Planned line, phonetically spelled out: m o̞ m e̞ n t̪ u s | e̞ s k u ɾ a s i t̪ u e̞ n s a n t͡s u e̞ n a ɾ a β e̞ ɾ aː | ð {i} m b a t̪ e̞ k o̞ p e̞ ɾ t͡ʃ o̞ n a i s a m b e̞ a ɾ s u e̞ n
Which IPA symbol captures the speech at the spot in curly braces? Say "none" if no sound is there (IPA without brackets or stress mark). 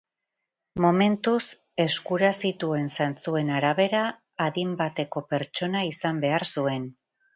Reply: i